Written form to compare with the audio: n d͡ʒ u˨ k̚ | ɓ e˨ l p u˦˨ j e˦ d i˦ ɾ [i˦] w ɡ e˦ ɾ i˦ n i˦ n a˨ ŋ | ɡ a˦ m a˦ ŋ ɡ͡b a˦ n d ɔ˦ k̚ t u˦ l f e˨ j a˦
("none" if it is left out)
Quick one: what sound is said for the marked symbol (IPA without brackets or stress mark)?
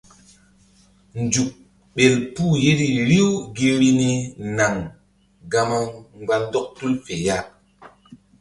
i˦